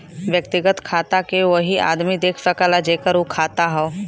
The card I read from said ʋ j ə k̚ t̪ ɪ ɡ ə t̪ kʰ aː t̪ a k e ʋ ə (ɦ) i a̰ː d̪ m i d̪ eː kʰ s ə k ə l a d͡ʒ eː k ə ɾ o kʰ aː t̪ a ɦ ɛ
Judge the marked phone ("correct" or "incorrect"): correct